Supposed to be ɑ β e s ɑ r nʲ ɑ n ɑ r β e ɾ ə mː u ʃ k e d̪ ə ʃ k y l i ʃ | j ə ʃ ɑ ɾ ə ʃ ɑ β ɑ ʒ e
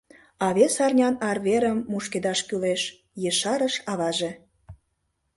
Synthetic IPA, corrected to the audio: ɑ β e s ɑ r nʲ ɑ n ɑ r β e ɾ ə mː u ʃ k e d̪ ɑ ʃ k y l e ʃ | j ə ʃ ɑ ɾ ə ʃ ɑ β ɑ ʒ e